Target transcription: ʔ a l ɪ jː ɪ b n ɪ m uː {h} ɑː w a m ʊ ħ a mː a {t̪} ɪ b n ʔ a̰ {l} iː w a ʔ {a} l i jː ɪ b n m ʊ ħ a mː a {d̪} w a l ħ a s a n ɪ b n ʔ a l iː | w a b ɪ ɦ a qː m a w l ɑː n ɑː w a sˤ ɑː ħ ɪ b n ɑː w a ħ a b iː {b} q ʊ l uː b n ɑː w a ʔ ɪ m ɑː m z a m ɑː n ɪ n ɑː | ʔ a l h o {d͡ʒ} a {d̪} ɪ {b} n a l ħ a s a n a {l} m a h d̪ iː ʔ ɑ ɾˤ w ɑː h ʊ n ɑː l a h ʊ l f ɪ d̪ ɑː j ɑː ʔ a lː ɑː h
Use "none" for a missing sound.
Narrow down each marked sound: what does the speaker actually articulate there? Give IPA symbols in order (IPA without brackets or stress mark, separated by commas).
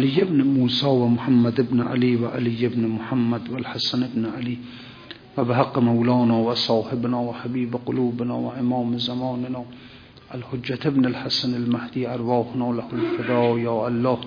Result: s, d̪, l, a, d̪, b, d͡ʒː, t̪, b, l